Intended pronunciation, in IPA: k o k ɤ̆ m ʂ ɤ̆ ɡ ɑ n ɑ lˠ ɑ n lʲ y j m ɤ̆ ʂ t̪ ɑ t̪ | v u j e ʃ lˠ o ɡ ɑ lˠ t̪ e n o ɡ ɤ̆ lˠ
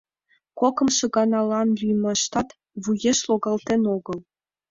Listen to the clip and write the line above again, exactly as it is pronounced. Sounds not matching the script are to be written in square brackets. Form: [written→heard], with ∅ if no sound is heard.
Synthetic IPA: k o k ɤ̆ m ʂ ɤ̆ ɡ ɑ n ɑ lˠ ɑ n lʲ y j m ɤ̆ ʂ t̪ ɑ t̪ | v u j e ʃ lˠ o ɡ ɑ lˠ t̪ e n o ɡ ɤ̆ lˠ